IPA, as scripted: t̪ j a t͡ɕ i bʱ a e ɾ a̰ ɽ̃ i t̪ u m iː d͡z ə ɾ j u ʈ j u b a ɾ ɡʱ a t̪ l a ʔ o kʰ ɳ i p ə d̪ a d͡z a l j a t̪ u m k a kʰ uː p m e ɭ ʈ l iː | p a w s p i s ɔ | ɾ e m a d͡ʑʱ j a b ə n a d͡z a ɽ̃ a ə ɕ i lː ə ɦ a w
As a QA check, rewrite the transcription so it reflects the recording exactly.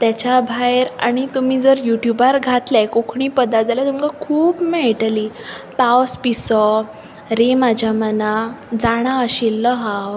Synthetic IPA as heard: t̪ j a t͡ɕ a bʱ a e ɾ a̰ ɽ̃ i t̪ u m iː d͡z ə ɾ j u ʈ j u b a ɾ ɡʱ a t̪ l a k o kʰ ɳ i p ə d̪ a d͡z a l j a t̪ u m k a kʰ uː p m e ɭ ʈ l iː | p a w s p i s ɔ | ɾ e m a d͡ʑʱ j a m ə n a d͡z a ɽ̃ a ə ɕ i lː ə ɦ a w